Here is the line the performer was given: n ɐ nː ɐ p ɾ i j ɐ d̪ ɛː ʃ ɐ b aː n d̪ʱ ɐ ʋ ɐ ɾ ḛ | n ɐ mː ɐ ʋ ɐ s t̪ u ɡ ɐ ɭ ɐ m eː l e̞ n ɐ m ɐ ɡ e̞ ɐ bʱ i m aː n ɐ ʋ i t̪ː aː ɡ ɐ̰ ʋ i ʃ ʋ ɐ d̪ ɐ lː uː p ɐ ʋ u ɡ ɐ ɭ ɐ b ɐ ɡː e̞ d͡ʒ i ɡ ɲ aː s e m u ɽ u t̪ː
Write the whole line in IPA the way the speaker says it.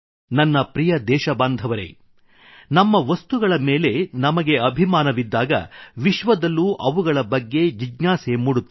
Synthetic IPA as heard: n ɐ nː ɐ p ɾ i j ɐ d̪ ɛː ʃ ɐ b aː n d̪ʱ ɐ ʋ ɐ ɾ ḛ | n ɐ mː ɐ ʋ ɐ s t̪ u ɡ ɐ ɭ ɐ m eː l e̞ n ɐ m ɐ ɡ e̞ ɐ bʱ i m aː n ɐ ʋ i d̪ː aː ɡ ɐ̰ ʋ i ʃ ʋ ɐ d̪ ɐ lː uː ʔ ɐ ʋ u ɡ ɐ ɭ ɐ b ɐ ɡː e̞ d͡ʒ i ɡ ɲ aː s e m u ɽ u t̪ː